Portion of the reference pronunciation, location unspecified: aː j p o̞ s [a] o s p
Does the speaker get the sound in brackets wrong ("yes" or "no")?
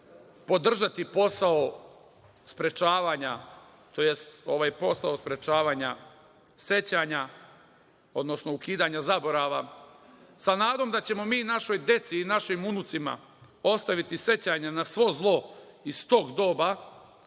no